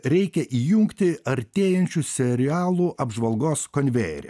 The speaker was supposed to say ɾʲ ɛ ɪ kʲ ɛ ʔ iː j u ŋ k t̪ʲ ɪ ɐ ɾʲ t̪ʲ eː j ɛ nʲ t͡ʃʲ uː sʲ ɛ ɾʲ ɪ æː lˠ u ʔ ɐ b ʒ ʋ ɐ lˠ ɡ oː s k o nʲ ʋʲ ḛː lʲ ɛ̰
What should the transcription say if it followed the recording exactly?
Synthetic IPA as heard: ɾʲ ɛ ɪ kʲ ɛ ʔ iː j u ŋ k t̪ʲ ɪ ɐ ɾʲ t̪ʲ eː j ɛ nʲ t͡ʃʲ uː sʲ ɛ ɾʲ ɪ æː lˠ u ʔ ɐ b ʒ ʋ ɐ lˠ ɡ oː s k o nʲ ʋʲ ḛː ɾʲ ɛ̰